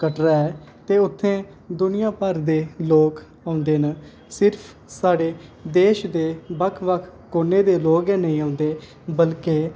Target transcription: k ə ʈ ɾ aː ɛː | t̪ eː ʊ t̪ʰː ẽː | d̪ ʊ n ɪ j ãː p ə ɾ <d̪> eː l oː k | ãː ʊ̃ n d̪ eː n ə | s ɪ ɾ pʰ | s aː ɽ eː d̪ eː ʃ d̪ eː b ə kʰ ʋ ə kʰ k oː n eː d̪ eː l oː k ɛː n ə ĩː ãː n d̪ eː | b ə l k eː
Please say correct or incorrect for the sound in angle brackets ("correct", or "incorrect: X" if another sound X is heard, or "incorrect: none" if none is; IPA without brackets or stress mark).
correct